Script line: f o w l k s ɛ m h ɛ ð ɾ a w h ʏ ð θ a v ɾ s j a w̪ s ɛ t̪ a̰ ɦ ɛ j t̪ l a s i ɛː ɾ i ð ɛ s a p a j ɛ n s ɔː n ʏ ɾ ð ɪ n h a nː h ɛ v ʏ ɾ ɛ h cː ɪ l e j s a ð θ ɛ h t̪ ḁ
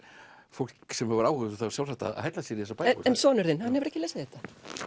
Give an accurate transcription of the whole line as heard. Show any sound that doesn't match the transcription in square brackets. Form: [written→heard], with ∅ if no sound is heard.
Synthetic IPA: f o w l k s ɛ m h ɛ [ð→v] ɾ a w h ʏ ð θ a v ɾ s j a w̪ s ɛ t̪ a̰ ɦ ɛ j t̪ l a s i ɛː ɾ i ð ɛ s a p a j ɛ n s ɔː n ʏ ɾ ð ɪ n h a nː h ɛ v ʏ ɾ ɛ h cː ɪ l e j s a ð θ ɛ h t̪ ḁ